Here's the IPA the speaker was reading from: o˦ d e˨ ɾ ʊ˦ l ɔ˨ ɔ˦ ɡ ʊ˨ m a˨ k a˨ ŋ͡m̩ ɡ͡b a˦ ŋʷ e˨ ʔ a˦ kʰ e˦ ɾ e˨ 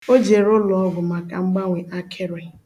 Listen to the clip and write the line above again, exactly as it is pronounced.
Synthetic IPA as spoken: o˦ d͡ʒ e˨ ɾ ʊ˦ l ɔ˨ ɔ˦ ɡ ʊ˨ m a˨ k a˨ ŋ͡m̩ ɡ͡b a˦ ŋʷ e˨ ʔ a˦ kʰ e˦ ɾ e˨